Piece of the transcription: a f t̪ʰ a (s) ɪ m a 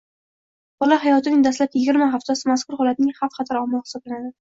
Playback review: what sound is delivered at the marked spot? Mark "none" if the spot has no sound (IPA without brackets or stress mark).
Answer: s